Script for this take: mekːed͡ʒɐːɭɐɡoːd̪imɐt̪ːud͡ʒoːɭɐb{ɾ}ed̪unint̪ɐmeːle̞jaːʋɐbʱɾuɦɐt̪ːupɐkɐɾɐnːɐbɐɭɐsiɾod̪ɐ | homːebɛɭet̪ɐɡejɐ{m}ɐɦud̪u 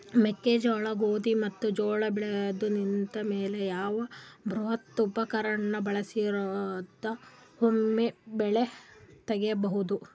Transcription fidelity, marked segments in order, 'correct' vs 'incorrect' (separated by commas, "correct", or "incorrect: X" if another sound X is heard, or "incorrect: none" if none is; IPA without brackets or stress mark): incorrect: ɭ, incorrect: b